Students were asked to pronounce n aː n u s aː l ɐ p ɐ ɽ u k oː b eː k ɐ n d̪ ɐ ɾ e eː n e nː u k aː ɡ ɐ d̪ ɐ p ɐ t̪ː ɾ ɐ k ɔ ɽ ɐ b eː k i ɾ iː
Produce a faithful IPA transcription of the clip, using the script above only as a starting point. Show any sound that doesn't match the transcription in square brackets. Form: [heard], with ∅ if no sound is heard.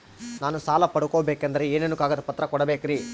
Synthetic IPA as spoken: n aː n u s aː l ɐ p ɐ ɽ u k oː b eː k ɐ n d̪ ɐ ɾ e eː n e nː u k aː ɡ ɐ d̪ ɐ p ɐ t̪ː ɾ ɐ k ɔ ɽ ɐ b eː k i ɾ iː